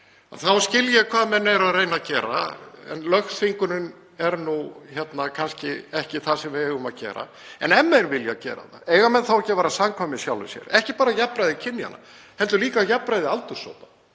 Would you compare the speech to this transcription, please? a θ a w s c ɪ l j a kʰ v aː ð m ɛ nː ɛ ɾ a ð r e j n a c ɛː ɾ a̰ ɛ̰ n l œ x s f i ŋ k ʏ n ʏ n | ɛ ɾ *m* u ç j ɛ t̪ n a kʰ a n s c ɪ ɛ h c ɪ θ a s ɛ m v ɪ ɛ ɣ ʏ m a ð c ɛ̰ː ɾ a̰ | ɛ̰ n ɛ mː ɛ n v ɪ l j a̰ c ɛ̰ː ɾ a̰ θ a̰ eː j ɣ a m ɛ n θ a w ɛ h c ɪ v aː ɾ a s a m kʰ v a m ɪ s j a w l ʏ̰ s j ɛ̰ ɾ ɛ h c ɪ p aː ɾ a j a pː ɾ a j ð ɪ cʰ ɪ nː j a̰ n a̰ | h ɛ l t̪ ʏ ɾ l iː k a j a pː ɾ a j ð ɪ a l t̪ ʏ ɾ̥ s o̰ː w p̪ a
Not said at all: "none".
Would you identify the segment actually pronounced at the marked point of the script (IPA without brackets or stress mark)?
n